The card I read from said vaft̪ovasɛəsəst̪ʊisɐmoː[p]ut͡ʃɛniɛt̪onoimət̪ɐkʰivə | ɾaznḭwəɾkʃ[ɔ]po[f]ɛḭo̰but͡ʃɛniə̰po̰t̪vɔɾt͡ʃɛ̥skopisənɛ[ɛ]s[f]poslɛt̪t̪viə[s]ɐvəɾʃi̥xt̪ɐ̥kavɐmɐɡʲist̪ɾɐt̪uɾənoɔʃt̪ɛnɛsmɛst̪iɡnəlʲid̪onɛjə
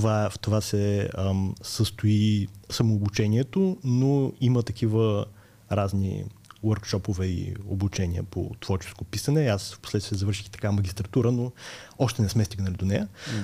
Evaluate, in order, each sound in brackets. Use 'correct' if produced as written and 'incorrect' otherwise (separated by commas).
incorrect, correct, incorrect, incorrect, correct, incorrect